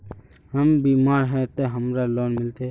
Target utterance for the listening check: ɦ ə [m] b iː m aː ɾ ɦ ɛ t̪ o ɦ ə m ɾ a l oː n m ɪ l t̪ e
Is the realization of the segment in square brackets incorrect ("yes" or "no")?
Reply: no